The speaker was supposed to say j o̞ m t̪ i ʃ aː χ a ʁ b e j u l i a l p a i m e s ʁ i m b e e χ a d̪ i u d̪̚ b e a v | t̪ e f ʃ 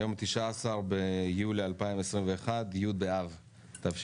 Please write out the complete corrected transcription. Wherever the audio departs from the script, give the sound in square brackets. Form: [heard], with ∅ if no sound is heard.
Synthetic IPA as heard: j o̞ m t̪ i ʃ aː [s] a ʁ b e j u l i a l p a i m e s ʁ i m [v] e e χ a d̪ [j] u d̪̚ b e a v | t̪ [a] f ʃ